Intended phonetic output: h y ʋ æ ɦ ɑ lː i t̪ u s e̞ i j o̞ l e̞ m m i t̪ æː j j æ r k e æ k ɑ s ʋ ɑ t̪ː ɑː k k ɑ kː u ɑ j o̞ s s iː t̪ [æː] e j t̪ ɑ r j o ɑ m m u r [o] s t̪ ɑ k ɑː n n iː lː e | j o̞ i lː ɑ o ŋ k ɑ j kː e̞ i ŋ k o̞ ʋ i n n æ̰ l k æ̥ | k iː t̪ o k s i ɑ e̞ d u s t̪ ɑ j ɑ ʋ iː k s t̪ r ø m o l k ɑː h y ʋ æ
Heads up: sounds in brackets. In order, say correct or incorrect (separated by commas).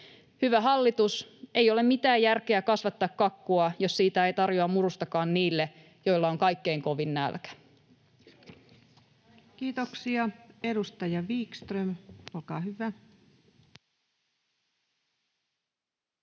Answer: incorrect, incorrect